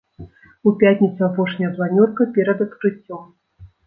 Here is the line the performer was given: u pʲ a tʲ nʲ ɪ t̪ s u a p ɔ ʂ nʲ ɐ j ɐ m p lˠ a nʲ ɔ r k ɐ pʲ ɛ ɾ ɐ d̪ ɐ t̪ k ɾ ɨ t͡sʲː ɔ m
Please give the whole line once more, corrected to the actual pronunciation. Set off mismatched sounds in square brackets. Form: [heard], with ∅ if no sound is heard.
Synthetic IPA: u pʲ a tʲ nʲ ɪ t̪ s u a p ɔ ʂ nʲ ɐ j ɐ [∅] p lˠ a nʲ ɔ r k ɐ pʲ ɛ ɾ ɐ d̪ ɐ t̪ k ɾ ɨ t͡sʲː ɔ m